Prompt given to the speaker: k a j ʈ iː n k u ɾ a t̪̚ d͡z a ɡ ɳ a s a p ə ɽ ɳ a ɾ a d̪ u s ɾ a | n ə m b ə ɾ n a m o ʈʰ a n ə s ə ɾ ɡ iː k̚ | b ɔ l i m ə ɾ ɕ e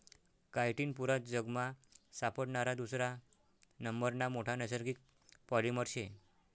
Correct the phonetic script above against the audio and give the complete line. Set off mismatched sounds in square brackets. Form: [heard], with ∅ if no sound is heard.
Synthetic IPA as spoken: k a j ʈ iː n [p] u ɾ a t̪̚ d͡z [ə] ɡ [m] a s a p ə ɽ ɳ a ɾ a d̪ u s ɾ a | n ə m b ə ɾ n a m o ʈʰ a n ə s ə ɾ ɡ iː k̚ | [p] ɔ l i m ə ɾ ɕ e